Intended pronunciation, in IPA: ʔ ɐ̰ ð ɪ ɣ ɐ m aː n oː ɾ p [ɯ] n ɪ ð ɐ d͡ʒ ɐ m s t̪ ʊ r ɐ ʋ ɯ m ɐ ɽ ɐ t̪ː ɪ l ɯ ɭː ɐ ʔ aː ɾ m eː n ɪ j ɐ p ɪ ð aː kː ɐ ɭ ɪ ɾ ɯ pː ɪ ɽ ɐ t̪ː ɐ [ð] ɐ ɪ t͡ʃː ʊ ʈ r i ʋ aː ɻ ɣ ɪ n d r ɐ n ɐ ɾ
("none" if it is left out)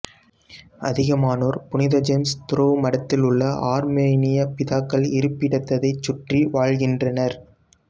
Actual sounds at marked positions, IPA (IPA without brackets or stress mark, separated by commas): ʊ, ð